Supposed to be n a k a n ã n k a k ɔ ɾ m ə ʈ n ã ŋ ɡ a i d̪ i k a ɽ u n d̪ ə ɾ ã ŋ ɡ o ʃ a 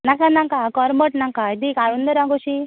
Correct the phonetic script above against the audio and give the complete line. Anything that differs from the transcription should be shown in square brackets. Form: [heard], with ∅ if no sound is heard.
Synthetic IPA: n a k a n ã [ŋ] k a k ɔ ɾ m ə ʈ n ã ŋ [k] a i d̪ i k a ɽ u n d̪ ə ɾ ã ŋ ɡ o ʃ [i]